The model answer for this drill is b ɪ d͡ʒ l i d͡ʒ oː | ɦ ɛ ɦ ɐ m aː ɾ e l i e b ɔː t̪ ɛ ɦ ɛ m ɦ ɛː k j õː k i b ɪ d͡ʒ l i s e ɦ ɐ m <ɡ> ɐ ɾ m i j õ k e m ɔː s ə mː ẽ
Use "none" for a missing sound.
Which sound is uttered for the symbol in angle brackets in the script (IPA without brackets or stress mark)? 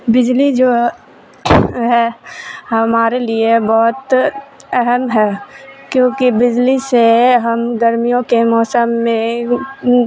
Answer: ɡ